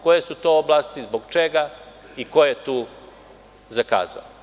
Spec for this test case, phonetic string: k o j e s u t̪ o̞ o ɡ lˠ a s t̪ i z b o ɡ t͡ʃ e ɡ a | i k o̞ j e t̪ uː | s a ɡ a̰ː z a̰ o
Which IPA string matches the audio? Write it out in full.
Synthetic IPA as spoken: k o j e s u t̪ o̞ o b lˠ a s t̪ i z b o ɡ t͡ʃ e ɡ a | i k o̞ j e t̪ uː | z a k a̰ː z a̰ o